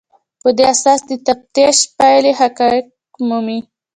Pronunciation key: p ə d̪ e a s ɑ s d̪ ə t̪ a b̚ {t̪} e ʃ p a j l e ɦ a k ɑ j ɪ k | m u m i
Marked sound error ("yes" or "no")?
no